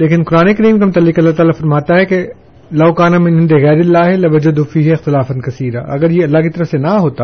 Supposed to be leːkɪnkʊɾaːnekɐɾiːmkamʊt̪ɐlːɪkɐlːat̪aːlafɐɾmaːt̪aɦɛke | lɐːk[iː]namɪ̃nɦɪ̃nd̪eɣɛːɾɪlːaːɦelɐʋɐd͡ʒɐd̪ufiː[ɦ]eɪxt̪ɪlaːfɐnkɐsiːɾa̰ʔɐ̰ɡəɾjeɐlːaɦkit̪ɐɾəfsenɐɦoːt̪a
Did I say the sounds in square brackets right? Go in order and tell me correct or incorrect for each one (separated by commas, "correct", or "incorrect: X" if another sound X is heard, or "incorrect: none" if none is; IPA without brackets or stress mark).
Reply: incorrect: aː, correct